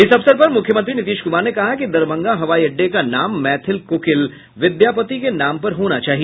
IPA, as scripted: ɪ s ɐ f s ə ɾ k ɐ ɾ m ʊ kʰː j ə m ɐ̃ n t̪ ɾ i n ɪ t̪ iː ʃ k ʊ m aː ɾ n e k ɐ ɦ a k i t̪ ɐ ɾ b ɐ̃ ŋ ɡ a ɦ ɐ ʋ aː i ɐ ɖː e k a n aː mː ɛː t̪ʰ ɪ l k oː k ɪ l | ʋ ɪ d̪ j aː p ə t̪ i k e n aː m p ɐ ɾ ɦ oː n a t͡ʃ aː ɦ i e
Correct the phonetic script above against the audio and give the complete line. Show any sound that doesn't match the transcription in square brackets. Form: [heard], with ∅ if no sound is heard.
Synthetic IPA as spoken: ɪ s ɐ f s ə ɾ [p] ɐ ɾ m ʊ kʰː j ə m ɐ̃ n t̪ ɾ i n ɪ t̪ iː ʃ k ʊ m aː ɾ n e k ɐ ɦ a k i [d̪] ɐ ɾ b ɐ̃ ŋ ɡ a ɦ ɐ ʋ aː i ɐ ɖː e k a n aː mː ɛː t̪ʰ ɪ l k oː k ɪ l | ʋ ɪ d̪ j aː p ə t̪ i k e n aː m p ɐ ɾ ɦ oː n a t͡ʃ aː ɦ i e